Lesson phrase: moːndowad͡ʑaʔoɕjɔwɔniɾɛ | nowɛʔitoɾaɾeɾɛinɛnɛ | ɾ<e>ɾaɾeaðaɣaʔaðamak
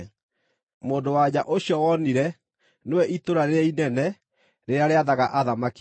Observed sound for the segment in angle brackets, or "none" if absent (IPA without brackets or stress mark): e